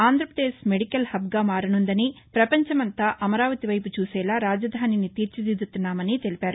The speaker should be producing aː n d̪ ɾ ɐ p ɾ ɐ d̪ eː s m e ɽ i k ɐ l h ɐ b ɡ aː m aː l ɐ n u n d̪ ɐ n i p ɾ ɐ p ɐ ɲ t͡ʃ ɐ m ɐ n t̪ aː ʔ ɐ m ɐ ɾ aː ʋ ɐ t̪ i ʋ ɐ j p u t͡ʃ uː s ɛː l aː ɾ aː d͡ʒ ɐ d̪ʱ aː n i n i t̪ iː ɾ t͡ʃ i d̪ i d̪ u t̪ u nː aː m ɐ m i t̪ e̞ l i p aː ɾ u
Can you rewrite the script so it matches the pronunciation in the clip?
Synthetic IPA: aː n d̪ ɾ ɐ p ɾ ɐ d̪ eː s m e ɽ i k ɐ l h ɐ b ɡ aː m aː ɾ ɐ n u n d̪ ɐ n i p ɾ ɐ p ɐ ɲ t͡ʃ ɐ m ɐ n t̪ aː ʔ ɐ m ɐ ɾ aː ʋ ɐ t̪ i ʋ ɐ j p u t͡ʃ uː s ɛː l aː ɾ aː d͡ʒ ɐ d̪ʱ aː n i n i t̪ iː ɾ t͡ʃ i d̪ i d̪ u t̪ u nː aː m ɐ n i t̪ e̞ l i p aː ɾ u